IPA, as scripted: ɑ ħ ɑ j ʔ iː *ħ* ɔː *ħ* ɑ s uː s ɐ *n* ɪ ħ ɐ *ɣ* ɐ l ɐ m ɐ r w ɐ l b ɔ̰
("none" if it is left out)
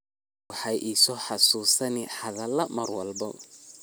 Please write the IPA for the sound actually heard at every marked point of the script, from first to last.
s, ħ, n, ð

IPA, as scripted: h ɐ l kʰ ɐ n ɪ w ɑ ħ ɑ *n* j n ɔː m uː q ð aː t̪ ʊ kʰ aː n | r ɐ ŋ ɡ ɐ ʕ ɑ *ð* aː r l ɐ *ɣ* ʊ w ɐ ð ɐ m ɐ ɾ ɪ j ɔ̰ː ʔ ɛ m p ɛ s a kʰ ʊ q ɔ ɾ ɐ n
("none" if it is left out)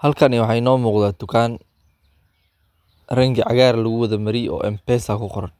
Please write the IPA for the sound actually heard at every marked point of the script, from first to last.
none, ɣ, ɣ

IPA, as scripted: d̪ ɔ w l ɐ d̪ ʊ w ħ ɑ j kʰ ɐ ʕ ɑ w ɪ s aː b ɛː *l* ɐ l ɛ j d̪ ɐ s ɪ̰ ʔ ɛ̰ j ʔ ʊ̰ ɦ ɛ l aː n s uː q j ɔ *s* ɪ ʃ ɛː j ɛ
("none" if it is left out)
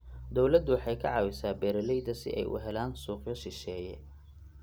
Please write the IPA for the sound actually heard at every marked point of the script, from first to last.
ɾ, ʃ

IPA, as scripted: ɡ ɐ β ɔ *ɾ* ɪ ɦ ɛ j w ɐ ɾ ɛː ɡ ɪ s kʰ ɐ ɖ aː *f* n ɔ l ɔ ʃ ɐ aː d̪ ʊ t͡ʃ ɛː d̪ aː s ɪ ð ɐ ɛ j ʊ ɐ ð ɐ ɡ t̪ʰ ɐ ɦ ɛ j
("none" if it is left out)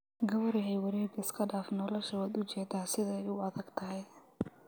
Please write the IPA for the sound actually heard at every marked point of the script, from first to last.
ɾ, f

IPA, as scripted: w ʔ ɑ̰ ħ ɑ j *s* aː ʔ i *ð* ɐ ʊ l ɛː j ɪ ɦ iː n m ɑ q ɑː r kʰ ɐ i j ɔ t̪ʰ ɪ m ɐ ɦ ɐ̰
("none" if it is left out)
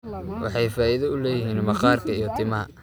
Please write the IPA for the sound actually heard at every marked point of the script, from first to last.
f, ð

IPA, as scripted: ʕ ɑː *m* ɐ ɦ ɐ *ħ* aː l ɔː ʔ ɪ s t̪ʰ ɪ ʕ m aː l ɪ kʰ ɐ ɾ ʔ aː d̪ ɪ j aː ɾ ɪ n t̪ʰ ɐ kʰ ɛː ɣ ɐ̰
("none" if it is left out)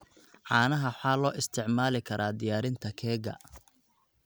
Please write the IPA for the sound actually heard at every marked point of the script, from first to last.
n, ħ

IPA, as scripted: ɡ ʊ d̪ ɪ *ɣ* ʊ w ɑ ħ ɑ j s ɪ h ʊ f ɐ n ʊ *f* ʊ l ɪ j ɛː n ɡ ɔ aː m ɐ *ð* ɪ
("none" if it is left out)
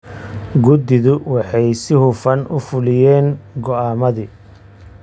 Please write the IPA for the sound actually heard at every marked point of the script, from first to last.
ð, f, ð

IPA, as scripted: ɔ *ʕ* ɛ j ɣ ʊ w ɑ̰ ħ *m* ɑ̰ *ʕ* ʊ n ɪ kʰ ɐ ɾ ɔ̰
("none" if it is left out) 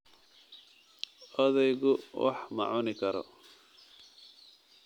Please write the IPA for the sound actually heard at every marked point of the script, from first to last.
ð, m, ʕ

